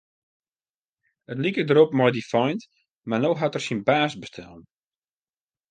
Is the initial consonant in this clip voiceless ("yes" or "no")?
yes